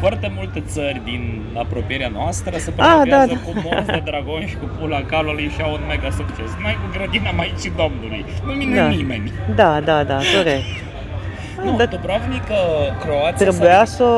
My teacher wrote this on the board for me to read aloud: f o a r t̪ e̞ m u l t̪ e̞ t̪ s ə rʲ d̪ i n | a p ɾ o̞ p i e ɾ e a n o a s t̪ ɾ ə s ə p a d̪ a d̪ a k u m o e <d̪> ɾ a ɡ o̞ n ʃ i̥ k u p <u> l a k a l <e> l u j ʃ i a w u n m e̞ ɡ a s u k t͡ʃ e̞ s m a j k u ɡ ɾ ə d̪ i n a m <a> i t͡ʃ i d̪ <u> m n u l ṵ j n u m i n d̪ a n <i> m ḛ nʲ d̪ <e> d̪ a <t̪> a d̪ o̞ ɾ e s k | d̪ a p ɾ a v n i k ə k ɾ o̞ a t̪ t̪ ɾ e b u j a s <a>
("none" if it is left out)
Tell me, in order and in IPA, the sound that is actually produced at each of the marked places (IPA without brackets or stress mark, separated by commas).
d̪, u, a, a, o, i, a, d̪, ə